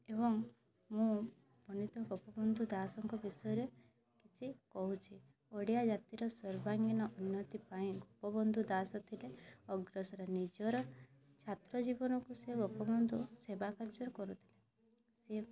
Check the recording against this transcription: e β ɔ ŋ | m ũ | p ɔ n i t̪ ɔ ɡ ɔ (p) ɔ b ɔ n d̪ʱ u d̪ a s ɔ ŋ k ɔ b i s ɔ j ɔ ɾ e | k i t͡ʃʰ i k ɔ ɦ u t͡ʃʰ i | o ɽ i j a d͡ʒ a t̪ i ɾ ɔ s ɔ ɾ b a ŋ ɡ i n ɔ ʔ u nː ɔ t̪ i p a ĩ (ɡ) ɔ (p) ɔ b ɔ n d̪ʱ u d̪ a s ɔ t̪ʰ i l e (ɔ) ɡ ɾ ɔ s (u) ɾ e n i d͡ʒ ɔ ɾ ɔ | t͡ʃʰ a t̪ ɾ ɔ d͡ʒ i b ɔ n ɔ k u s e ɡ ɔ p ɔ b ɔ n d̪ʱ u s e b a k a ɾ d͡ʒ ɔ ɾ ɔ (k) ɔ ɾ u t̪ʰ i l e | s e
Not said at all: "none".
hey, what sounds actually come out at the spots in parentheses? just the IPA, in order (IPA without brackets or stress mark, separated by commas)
p, ɡ, p, ɔ, ɔ, k